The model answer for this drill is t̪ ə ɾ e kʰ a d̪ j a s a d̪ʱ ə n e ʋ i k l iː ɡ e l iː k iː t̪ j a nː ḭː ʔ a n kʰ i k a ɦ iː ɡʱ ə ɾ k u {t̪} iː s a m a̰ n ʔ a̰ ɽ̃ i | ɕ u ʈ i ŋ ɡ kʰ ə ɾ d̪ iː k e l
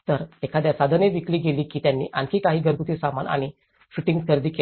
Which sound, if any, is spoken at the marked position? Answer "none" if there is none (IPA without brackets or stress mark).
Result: t̪